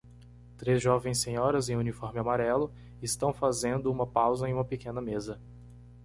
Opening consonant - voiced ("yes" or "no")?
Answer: no